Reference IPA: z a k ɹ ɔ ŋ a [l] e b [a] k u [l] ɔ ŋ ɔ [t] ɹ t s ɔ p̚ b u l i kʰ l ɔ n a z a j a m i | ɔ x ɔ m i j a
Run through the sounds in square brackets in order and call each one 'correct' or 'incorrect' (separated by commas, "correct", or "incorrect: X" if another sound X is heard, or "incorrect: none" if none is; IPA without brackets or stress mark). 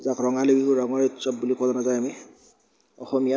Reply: correct, incorrect: i, incorrect: ɹ, incorrect: none